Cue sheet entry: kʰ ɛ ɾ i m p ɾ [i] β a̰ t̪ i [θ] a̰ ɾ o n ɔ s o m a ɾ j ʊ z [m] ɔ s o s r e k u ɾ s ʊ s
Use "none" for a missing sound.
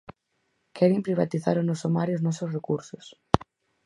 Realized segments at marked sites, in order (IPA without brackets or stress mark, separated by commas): i, θ, n